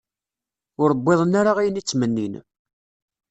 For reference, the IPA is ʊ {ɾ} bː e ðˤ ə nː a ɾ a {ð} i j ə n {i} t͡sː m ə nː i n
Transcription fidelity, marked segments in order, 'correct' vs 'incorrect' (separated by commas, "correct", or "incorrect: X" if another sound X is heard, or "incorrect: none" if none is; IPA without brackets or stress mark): correct, incorrect: ʁ, correct